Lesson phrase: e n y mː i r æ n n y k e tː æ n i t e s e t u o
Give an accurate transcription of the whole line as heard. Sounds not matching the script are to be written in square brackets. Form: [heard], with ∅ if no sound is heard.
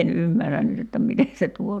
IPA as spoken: e n y mː [æ] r æ n n y [t] e tː æ [m] i t e s e t u o